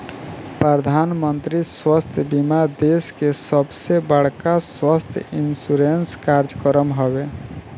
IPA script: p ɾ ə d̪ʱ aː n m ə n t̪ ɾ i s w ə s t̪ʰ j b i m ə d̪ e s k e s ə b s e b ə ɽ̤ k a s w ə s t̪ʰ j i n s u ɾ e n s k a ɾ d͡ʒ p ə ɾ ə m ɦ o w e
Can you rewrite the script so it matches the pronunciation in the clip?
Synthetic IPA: p ɾ ə d̪ʱ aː n m ə n t̪ ɾ i s w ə s t̪ʰ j b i m a d̪ e s k e s ə b s e b ə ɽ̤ k a s w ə s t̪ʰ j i n s u ɾ e n s k a ɾ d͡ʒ k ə ɾ ə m ɦ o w e

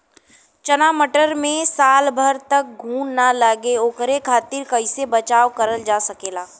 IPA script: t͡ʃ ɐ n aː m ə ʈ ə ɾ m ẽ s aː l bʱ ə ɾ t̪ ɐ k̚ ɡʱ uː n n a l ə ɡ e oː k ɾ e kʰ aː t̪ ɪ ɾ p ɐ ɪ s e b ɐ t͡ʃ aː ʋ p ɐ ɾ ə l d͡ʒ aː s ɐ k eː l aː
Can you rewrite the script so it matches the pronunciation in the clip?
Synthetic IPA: t͡ʃ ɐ n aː m ə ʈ ə ɾ m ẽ s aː l bʱ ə ɾ t̪ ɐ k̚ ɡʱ uː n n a l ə ɡ e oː k ɾ e kʰ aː t̪ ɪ ɾ k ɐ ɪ s e b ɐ t͡ʃ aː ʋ k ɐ ɾ ə l d͡ʒ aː s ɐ k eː l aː

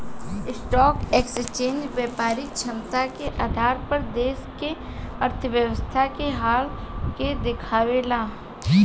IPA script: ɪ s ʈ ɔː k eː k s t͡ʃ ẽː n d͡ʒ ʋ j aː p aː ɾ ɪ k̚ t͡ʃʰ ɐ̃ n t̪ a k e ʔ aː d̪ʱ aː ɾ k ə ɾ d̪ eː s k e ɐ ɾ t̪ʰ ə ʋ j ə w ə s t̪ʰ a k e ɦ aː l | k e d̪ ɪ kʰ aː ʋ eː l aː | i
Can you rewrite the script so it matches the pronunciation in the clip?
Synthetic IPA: ɪ s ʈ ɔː k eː k s t͡ʃ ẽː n d͡ʒ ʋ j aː p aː ɾ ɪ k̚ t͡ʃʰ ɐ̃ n t̪ a k e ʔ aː d̪ʱ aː ɾ p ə ɾ d̪ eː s k e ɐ ɾ t̪ʰ ə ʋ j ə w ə s t̪ʰ a k e ɦ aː l | k e d̪ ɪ kʰ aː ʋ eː l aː | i

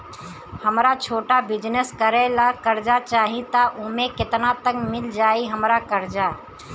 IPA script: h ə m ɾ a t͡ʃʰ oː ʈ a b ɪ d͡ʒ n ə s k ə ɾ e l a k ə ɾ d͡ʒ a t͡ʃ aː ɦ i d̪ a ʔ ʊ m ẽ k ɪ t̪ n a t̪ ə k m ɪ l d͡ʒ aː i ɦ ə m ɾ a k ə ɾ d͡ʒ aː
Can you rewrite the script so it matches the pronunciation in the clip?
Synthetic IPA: h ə m ɾ a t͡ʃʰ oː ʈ a b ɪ d͡ʒ n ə s k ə ɾ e l a k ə ɾ d͡ʒ a t͡ʃ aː ɦ i t̪ a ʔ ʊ m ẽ k ɪ t̪ n a t̪ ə k m ɪ l d͡ʒ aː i ɦ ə m ɾ a k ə ɾ d͡ʒ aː

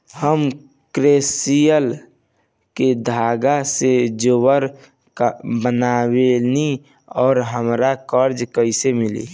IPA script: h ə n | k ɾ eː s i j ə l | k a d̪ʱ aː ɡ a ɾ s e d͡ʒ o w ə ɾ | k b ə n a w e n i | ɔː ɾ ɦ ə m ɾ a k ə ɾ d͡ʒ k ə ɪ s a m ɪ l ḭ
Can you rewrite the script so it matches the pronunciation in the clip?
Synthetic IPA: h ə m | k ɾ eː s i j ə l | k e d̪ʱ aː ɡ a s e d͡ʒ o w ə ɾ | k b ə n a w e n i | ɔː ɾ ɦ ə m ɾ a k ə ɾ d͡ʒ k ə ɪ s e m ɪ l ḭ

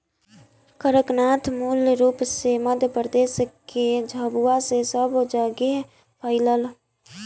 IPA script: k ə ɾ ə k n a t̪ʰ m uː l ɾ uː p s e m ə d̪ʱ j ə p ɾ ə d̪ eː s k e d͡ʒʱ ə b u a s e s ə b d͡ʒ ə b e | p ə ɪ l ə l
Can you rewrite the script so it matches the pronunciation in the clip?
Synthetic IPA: k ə ɾ ə k n a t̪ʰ m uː l ɾ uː p s e m ə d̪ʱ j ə p ɾ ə d̪ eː s k e d͡ʒʱ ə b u a s e s ə b d͡ʒ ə ɡ e | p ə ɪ l ə l

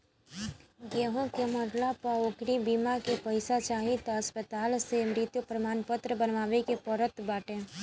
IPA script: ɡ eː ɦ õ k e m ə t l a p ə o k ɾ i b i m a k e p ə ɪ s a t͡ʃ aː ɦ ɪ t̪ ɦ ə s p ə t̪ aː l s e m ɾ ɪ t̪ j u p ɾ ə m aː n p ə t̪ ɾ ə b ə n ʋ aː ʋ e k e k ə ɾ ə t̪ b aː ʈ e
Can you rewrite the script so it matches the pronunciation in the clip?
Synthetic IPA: ɡ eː ɦ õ k e m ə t l a p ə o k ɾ i b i m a k e p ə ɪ s a t͡ʃ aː ɦ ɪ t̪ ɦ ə s p ə t̪ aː l s e m ɾ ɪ t̪ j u p ɾ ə m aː n p ə t̪ ɾ ə b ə n ʋ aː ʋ e k e p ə ɾ ə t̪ b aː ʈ e

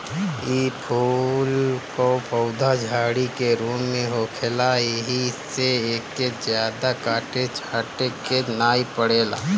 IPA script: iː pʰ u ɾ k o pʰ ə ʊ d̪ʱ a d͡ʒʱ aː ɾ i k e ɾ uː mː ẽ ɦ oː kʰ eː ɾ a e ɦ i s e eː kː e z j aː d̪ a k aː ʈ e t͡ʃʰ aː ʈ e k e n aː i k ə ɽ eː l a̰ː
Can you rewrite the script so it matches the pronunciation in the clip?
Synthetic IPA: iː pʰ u l k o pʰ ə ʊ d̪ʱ a d͡ʒʱ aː ɽ i k e ɾ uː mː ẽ ɦ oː kʰ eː l a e ɦ i s e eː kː e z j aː d̪ a k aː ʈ e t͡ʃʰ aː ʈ e k e n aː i p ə ɽ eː l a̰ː

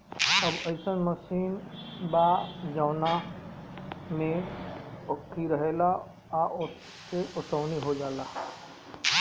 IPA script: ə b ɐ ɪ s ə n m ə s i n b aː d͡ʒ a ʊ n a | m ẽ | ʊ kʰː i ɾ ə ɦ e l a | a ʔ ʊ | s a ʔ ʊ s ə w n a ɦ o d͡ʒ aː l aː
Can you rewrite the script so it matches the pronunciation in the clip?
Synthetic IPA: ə b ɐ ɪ s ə n m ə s iː n b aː d͡ʒ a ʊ n a | m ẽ | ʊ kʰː i ɾ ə ɦ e l a | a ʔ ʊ | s e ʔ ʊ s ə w n i ɦ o d͡ʒ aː l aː

